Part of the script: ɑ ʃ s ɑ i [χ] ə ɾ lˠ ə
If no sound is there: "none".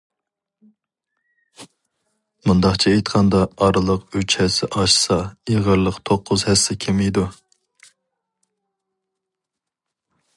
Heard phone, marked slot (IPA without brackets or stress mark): ʁ